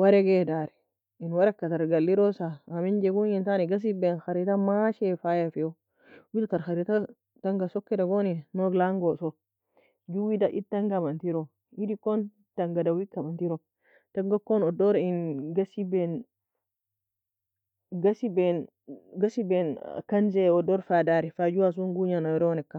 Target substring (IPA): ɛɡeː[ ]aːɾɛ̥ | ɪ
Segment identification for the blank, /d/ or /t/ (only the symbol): d